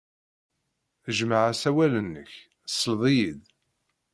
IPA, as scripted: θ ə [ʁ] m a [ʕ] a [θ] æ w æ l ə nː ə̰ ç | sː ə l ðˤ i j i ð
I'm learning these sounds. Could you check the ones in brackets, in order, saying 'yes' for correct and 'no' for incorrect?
no, yes, no

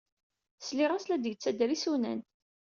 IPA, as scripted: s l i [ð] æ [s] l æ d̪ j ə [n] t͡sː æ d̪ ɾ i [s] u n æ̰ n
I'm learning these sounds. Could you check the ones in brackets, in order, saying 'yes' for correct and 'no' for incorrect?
no, yes, no, yes

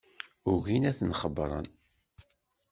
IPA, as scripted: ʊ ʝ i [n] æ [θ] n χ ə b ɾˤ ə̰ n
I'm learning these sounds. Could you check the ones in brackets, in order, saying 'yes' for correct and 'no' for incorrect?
yes, yes

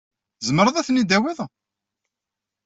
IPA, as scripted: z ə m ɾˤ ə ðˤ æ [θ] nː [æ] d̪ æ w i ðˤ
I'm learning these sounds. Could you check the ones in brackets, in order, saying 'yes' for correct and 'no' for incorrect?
yes, no

